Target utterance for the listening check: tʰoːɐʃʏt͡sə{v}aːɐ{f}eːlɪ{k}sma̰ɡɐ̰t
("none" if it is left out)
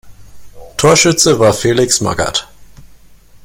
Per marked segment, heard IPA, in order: v, f, k

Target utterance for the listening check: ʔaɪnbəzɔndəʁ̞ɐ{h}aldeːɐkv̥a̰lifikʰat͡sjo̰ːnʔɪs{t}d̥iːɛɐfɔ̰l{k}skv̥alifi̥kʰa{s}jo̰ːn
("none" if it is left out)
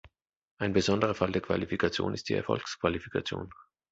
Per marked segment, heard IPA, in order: f, t, k, t͡s

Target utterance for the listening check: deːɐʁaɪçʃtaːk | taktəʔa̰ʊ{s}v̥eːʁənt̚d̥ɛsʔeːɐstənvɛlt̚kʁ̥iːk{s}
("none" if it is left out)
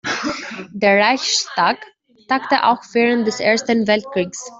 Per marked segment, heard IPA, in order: x, s

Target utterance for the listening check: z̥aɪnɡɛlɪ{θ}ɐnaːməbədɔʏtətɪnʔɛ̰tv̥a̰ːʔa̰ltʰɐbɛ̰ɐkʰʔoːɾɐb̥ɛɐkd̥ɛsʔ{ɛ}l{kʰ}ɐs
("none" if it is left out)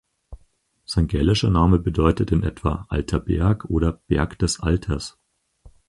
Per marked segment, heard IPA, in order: ʃ, a, tʰ

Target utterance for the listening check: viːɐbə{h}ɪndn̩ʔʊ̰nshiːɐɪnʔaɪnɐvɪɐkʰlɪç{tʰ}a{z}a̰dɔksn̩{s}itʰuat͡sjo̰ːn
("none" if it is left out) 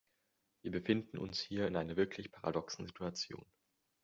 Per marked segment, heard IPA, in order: f, pʰ, ʁ, z

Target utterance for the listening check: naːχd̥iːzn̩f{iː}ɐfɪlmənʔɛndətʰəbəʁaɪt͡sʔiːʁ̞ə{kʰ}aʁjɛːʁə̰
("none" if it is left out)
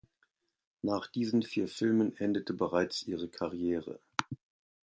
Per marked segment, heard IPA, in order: iː, kʰ

